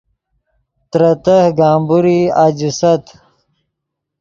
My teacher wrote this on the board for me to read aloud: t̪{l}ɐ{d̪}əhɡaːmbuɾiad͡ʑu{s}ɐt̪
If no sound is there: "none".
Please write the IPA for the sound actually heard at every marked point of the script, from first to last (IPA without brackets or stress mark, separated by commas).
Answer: ɾ, t̪, s